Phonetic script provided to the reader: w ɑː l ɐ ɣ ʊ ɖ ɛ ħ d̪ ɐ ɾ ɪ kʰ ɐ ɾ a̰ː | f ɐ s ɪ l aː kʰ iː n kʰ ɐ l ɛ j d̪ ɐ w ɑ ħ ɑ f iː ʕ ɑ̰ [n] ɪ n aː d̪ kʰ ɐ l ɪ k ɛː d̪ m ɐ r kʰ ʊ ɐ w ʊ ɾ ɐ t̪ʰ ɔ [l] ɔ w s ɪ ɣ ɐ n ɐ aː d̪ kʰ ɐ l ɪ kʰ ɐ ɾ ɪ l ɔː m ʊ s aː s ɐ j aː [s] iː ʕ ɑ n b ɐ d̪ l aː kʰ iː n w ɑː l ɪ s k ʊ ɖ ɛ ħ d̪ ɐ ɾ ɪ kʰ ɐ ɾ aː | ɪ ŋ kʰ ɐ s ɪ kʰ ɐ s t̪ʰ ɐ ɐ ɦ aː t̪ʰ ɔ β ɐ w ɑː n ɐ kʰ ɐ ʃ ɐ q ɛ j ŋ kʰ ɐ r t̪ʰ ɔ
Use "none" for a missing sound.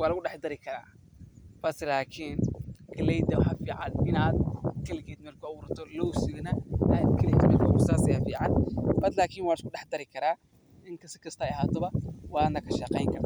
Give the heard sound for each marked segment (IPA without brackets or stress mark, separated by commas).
n, l, f